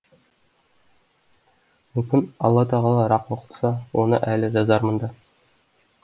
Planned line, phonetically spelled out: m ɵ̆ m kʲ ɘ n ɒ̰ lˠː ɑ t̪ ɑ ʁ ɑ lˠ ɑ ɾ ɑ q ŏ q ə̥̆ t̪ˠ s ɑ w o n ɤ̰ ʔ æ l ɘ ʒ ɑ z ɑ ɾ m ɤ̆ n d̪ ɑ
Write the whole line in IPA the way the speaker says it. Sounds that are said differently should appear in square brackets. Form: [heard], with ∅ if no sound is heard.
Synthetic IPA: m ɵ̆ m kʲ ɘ n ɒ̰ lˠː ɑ t̪ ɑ ʁ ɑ lˠ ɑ ɾ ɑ q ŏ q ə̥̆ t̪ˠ s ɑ w o n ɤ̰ ʔ æ l ɘ ʒ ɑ z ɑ ɾ m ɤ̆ n d̪ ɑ